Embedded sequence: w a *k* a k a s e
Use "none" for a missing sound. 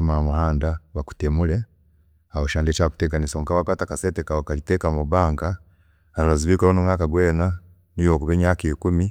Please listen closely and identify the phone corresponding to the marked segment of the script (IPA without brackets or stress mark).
t